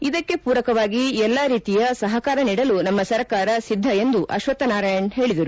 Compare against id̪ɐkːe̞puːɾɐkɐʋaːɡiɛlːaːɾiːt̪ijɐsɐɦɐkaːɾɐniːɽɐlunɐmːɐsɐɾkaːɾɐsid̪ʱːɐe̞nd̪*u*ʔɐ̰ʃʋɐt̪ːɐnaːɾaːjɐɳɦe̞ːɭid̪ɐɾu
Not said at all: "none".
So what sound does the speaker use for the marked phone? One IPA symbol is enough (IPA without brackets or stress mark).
u